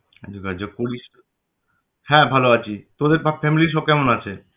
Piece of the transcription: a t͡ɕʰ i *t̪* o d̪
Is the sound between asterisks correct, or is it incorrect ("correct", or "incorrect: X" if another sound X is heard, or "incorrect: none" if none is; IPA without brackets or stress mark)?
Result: correct